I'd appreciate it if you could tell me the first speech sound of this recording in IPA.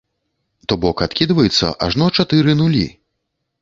t̪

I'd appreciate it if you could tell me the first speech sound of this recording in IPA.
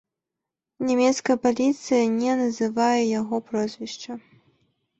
nʲ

